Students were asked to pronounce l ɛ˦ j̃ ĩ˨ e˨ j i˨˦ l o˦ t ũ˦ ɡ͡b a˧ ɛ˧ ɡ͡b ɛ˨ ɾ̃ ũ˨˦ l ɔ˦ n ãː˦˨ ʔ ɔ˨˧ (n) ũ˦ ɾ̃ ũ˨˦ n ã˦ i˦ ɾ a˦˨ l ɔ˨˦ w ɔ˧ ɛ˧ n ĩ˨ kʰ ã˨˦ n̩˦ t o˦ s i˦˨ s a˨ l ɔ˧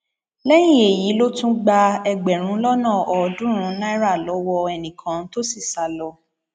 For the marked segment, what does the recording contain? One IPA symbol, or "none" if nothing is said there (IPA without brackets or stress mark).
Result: d